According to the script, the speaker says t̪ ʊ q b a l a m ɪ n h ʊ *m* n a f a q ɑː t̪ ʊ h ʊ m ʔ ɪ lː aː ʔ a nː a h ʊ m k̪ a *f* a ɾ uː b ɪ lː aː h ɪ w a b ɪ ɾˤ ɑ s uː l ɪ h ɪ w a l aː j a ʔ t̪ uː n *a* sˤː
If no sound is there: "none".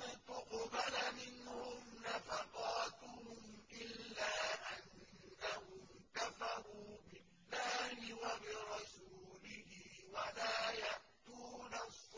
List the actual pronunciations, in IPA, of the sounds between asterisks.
m, f, a

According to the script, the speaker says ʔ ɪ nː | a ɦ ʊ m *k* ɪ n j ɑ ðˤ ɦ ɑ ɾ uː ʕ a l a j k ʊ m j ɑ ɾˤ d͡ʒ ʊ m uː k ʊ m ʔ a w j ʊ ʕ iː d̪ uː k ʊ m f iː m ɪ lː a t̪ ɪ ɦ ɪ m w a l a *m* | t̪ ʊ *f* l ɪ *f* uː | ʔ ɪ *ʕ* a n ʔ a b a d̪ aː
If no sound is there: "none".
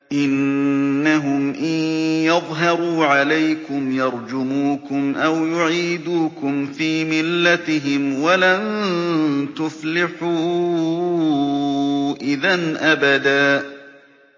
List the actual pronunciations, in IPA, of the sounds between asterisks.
ʔ, n, f, ħ, ð

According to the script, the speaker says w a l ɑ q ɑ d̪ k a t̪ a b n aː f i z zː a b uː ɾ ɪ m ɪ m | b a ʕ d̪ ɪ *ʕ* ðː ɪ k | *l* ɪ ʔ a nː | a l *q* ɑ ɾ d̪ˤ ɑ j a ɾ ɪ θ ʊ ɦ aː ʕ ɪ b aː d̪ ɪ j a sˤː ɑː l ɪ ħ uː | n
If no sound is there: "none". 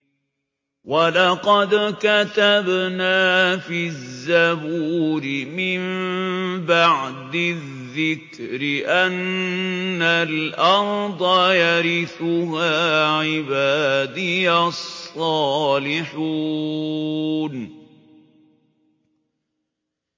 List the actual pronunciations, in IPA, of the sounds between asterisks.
ð, ɾ, ʔ

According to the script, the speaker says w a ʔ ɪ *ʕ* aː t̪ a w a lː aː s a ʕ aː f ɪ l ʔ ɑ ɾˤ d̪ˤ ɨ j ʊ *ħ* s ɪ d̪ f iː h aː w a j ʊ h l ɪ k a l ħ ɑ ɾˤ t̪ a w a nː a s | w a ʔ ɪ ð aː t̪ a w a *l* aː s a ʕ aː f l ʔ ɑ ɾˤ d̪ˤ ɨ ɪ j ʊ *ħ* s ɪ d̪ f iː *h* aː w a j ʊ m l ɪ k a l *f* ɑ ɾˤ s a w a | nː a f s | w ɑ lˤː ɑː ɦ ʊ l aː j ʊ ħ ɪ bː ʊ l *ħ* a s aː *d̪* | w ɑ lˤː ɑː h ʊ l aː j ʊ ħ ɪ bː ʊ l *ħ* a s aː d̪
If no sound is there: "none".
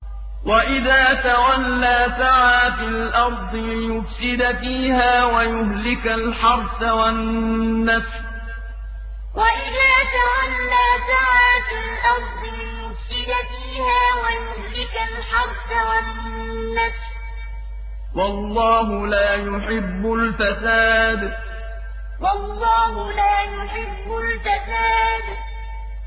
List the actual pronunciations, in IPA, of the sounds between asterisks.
ð, f, lː, f, h, ħ, f, d̪, f

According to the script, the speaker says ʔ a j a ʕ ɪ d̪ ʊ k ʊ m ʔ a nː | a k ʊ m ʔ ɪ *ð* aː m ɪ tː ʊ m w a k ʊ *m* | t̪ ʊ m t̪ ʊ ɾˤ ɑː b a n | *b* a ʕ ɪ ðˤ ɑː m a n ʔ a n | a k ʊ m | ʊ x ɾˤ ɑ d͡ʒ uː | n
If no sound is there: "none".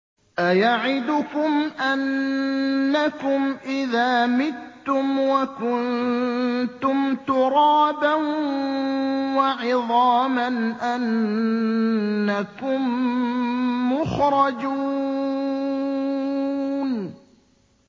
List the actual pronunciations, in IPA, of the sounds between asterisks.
ð, n, w

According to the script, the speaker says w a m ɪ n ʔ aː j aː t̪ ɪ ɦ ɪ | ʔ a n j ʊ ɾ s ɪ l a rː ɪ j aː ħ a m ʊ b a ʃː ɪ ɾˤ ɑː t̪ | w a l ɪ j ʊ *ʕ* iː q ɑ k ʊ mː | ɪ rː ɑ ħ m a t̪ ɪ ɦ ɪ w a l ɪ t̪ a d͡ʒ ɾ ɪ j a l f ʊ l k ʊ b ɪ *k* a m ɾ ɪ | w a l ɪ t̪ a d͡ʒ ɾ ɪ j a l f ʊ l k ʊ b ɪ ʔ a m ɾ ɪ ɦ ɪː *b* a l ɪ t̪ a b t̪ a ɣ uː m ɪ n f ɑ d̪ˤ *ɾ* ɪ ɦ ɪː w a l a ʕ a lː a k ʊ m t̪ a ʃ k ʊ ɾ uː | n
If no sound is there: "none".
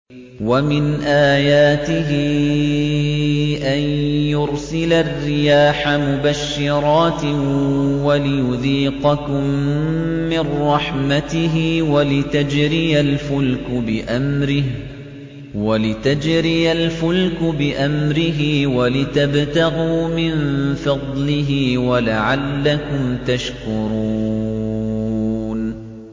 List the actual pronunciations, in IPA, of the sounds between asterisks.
ð, ʔ, w, l

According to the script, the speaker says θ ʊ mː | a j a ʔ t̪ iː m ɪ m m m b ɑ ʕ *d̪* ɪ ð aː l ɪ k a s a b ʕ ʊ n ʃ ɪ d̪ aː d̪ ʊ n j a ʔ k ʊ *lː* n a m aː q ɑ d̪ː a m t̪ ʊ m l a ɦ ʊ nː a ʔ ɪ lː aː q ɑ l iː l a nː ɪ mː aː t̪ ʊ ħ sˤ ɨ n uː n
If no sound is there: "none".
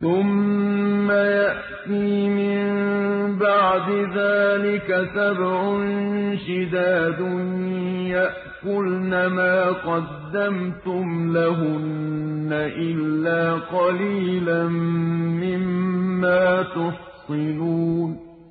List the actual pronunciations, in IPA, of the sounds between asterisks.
d̪, l

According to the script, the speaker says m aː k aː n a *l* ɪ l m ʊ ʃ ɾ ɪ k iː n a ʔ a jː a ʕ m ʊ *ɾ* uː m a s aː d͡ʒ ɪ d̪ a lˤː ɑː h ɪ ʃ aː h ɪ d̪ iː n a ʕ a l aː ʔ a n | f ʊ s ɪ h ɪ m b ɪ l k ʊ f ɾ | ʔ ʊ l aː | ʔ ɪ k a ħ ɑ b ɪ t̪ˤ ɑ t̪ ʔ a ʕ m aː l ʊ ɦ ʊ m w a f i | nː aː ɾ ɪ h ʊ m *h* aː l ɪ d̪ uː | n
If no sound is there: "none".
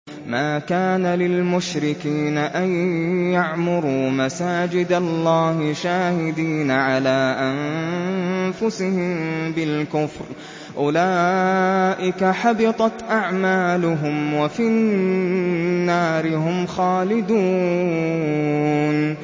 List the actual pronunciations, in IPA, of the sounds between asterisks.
l, ɾ, x

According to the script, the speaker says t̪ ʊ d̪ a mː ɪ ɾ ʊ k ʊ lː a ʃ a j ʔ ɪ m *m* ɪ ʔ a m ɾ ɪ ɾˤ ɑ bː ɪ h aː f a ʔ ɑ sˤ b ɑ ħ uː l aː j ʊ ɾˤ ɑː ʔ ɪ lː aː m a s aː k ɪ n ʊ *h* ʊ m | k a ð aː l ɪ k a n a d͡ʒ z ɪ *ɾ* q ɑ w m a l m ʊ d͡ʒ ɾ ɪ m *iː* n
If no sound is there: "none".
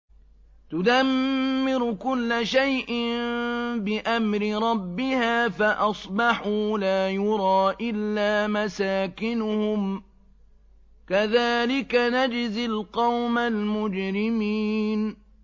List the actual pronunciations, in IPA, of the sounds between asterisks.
b, h, l, iː

